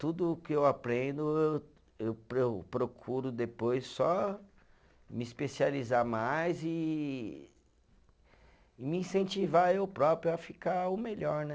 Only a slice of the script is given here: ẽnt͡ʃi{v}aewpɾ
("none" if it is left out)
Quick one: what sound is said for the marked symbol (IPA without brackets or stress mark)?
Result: v